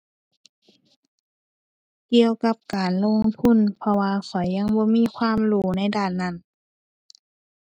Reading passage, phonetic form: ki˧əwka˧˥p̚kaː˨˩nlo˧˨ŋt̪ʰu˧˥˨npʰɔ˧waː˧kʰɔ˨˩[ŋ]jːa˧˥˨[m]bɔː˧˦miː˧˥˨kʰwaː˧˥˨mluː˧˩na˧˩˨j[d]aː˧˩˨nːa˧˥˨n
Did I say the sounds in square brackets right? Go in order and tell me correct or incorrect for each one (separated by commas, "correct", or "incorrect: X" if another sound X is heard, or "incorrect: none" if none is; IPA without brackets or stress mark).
incorrect: none, incorrect: ŋ, correct